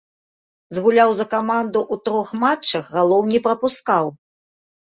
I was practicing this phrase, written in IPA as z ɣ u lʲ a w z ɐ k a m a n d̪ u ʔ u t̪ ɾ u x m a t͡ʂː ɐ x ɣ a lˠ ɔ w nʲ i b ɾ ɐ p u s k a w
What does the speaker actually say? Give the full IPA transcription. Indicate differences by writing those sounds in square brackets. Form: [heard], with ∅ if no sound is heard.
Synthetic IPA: z ɣ u lʲ a w z ɐ k a m a n d̪ u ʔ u t̪ ɾ [ɔ] x m a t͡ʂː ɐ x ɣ a lˠ ɔ w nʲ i [p] ɾ ɐ p u s k a w